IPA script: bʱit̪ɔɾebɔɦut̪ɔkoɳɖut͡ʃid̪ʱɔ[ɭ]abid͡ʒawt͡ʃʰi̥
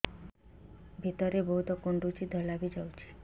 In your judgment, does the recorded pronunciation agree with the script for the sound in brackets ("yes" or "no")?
no